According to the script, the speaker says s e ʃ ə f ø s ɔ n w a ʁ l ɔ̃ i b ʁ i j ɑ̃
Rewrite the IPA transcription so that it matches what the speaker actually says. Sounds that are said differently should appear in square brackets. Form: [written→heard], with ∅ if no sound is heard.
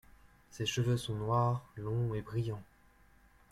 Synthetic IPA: s e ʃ ə [f→v] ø s [ɔ→ɔ̃] n w a ʁ l ɔ̃ [i→e] b ʁ i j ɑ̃